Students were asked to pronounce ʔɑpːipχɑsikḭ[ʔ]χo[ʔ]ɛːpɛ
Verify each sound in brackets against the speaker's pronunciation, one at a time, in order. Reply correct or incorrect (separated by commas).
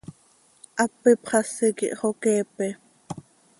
correct, incorrect